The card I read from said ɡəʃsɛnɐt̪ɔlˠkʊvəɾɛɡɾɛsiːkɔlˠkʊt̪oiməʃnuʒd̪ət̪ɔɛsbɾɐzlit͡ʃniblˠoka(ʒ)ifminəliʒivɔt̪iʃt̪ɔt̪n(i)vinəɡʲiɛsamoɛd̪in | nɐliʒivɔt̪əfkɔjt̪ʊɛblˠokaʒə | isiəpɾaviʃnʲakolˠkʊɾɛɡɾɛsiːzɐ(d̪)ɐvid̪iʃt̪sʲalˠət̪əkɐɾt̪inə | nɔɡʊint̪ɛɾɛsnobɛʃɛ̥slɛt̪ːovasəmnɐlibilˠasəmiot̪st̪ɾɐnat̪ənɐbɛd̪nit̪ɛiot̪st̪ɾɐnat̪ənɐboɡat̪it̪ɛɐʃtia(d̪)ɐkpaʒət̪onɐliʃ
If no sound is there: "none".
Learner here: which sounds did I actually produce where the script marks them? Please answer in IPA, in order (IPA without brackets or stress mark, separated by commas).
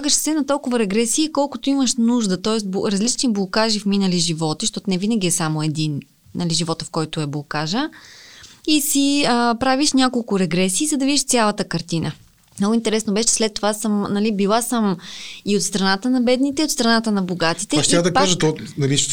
ʒ, ɛ, d̪, d̪